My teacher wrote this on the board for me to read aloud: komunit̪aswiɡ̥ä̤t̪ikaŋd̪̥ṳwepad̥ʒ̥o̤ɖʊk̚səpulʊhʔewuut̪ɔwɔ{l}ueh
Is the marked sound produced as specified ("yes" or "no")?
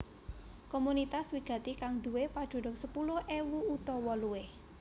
yes